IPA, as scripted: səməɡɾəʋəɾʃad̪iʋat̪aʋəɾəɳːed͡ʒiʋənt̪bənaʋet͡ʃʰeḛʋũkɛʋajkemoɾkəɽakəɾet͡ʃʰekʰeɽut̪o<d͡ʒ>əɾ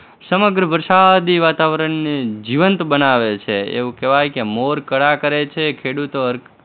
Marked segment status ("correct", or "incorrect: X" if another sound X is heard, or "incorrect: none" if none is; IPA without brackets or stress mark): incorrect: none